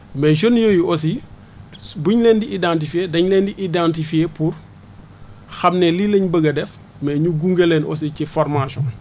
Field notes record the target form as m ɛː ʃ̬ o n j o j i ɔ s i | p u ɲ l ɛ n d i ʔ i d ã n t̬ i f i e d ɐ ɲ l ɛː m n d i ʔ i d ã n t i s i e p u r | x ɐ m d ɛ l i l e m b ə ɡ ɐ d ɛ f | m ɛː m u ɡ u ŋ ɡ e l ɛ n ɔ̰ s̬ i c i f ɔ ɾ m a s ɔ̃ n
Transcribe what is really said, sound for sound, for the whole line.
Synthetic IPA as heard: m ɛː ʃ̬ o n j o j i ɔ s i | b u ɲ l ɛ n d i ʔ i d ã n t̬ i f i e d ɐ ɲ l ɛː n d i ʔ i d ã n t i f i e p u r | x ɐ m n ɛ l i l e ɲ b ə ɡ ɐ d ɛ f | m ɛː ɲ u ɡ u ŋ ɡ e l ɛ n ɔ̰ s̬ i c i f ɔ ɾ m a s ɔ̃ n